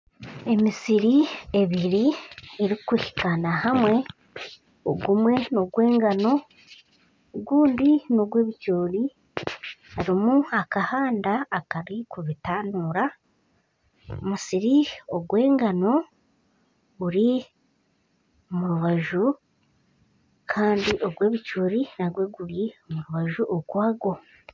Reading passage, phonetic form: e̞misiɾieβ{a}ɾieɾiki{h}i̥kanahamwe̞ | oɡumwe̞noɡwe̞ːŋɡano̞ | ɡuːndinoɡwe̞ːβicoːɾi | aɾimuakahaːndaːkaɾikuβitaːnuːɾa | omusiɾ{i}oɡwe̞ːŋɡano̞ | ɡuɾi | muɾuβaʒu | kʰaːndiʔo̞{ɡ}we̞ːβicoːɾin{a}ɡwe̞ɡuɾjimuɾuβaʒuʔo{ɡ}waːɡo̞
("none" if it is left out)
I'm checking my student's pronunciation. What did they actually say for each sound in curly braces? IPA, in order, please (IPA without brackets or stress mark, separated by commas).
i, h, i, ɡ, a, ɡ